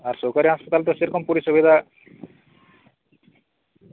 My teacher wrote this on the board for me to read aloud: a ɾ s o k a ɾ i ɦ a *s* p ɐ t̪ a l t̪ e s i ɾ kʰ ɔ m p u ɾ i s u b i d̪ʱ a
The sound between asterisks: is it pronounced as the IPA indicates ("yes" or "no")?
yes